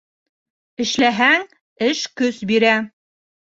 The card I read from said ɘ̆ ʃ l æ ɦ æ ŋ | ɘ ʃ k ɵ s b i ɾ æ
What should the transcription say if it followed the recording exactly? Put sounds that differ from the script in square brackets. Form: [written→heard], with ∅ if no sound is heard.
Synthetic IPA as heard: ɘ̆ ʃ l æ ɦ æ ŋ | ɘ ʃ k ɵ s b i ɾ æ